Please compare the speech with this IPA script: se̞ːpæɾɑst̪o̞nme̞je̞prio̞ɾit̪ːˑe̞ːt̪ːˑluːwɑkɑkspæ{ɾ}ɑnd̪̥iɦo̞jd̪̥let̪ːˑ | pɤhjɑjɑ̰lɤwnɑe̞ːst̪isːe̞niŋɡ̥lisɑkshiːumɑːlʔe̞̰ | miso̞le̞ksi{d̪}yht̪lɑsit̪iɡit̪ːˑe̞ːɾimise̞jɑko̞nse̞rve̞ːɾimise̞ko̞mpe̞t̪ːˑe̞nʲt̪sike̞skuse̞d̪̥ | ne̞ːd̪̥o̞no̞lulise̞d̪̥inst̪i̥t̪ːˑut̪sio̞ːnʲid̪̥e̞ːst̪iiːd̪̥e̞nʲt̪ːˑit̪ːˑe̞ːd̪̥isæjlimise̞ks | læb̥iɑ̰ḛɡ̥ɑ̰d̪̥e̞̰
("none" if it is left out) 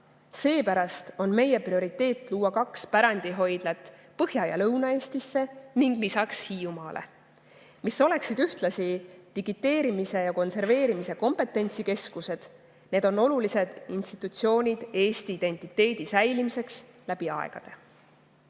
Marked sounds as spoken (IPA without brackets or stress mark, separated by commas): ɾ, d̪